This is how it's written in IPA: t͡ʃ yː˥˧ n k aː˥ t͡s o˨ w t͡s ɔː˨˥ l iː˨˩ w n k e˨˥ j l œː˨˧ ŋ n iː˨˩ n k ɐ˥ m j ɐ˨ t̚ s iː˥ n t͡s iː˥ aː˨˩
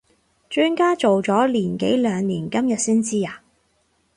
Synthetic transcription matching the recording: t͡ʃ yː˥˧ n k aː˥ t͡s o˨ w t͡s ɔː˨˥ l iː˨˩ n k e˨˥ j l œː˨˧ ŋ n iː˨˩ n k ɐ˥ m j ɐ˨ t̚ s iː˥ n t͡s iː˥ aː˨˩